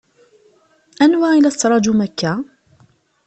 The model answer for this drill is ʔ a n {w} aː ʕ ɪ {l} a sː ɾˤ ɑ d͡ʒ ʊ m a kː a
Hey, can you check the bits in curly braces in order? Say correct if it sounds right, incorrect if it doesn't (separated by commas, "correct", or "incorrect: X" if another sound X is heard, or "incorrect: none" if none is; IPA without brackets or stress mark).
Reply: correct, correct